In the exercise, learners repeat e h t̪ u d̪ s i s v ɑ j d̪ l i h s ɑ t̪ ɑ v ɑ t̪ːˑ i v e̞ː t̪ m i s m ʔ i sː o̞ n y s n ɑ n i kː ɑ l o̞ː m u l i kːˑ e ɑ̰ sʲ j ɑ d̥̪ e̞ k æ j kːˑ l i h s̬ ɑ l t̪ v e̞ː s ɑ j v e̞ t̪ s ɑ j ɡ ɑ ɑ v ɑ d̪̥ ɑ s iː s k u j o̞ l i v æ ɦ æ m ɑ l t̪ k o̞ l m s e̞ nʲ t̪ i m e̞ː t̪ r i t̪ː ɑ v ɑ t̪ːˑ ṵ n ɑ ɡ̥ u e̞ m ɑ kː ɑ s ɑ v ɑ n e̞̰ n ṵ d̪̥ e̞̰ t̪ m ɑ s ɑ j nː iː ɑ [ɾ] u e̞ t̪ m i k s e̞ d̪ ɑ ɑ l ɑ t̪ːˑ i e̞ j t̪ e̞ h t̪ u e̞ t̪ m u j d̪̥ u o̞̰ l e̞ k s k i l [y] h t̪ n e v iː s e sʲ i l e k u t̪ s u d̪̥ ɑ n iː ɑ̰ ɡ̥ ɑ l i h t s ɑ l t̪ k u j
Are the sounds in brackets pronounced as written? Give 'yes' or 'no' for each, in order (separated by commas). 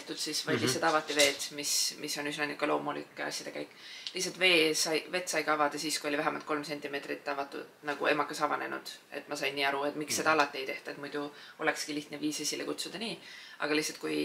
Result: yes, no